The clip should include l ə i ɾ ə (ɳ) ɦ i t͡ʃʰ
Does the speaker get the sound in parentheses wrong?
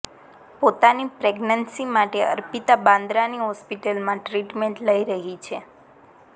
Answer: yes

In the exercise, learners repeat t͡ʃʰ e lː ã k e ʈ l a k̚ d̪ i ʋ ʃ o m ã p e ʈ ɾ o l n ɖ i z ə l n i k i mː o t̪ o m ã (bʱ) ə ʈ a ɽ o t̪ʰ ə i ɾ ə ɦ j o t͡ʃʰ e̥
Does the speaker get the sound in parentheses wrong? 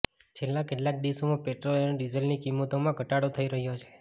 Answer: yes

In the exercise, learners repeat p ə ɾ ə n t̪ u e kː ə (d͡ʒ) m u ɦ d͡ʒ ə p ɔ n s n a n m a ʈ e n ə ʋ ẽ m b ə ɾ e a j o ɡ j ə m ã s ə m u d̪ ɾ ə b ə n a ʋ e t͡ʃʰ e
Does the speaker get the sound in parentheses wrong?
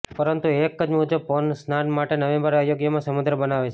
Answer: no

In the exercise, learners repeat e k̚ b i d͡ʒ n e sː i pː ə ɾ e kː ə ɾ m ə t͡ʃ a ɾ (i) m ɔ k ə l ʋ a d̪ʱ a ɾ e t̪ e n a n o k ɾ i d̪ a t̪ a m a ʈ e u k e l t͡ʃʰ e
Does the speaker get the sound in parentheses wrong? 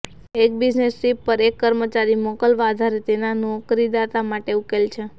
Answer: no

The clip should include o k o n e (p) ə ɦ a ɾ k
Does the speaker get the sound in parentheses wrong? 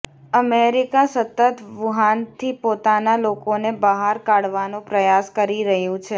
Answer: yes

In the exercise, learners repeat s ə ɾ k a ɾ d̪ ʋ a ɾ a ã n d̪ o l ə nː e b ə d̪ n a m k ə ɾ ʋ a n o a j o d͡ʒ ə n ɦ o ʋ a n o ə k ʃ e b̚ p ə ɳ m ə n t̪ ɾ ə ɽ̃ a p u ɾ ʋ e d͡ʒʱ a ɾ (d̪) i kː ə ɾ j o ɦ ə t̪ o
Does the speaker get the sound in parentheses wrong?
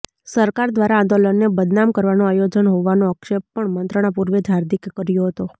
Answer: no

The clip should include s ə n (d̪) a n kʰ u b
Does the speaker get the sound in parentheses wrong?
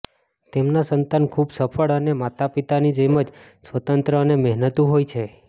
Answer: yes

